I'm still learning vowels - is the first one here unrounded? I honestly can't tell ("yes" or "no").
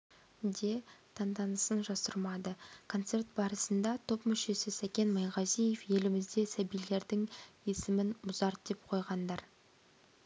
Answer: yes